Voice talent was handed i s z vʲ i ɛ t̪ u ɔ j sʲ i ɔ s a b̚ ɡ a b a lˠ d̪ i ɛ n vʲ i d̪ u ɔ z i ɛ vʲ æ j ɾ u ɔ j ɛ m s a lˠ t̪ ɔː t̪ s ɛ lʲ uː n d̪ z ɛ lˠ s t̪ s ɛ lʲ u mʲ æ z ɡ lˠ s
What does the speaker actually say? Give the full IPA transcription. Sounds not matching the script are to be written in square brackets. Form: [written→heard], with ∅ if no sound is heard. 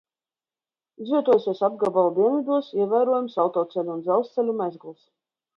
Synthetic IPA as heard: i [s→∅] z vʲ i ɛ t̪ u ɔ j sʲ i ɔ s a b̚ ɡ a b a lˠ d̪ i ɛ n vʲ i d̪ u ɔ [z→s] i ɛ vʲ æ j ɾ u ɔ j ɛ m s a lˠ t̪ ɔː t̪ s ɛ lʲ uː n d̪ z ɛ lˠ s t̪ s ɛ lʲ u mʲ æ z ɡ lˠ s